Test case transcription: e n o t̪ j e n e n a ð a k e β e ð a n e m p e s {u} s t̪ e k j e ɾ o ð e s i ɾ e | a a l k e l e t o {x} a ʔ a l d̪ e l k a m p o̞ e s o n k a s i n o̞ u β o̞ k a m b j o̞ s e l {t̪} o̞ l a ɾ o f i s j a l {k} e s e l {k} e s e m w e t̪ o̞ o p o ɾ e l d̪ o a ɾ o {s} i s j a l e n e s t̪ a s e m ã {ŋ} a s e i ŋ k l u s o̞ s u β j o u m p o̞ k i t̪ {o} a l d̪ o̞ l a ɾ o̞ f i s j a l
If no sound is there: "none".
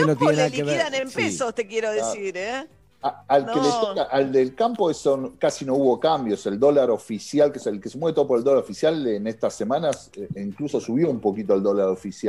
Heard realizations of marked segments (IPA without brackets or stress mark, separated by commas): o, k, d̪, k, k, f, n, o